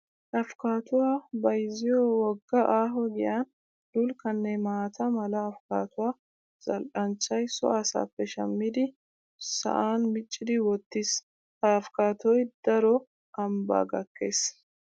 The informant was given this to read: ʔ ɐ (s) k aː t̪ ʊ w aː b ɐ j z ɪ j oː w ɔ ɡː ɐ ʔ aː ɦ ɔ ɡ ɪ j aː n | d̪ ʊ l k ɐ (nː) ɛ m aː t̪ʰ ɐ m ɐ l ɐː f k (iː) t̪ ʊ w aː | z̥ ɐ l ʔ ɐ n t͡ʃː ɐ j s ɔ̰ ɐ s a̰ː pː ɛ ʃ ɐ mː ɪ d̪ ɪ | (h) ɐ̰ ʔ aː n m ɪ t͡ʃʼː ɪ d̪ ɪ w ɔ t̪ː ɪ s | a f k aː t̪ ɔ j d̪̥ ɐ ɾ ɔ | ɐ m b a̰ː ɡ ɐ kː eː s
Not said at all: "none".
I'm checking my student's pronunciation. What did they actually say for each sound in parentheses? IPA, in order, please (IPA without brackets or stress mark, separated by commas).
f, nː, aː, s